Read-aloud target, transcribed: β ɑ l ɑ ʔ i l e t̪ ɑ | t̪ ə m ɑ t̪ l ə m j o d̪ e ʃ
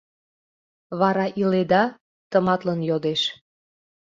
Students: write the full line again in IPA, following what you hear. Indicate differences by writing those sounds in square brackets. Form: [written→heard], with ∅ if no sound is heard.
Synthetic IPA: β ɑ [l→ɾ] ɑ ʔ i l e [t̪→d̪] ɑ | t̪ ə m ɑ t̪ l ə [m→n] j o d̪ e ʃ